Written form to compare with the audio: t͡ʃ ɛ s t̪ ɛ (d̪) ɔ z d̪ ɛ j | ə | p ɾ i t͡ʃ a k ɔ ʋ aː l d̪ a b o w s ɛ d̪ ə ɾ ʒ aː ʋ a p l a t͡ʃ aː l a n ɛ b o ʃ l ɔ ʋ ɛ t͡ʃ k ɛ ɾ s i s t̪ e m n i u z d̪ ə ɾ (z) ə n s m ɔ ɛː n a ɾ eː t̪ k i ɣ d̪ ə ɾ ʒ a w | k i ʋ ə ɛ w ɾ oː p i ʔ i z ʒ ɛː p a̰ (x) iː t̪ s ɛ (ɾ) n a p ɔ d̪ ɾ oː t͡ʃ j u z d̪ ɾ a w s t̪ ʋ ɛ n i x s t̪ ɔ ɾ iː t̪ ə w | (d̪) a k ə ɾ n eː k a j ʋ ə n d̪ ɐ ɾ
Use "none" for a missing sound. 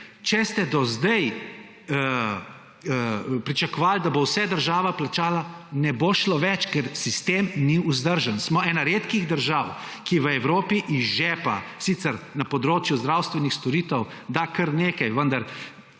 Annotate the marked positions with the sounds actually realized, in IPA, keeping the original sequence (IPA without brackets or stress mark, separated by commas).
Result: d̪, ʒ, s, ɾ, d̪